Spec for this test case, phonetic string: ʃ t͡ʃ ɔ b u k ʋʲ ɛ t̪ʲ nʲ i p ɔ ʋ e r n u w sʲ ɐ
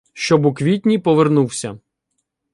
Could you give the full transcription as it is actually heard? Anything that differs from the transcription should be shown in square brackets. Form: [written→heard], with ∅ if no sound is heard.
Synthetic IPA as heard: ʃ t͡ʃ ɔ b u k ʋʲ [ɛ→i] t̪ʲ nʲ i p ɔ ʋ e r n u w sʲ ɐ